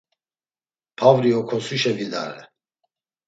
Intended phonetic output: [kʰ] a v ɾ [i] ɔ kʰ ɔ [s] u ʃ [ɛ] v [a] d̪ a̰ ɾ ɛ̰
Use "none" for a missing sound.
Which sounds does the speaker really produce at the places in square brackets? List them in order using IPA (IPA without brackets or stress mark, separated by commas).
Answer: pʰ, i, s, ɛ, i